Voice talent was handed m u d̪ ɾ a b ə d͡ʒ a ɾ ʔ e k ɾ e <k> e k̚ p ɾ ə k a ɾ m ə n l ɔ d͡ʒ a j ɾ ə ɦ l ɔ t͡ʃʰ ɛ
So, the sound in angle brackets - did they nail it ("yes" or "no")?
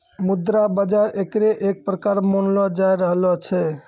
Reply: no